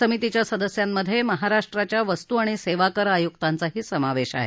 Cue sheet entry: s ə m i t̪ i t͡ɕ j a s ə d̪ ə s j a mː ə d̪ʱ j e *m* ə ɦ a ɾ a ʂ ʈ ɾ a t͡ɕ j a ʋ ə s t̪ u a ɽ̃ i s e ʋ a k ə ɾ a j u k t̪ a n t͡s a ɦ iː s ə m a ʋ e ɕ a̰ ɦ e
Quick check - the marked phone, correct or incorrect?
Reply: correct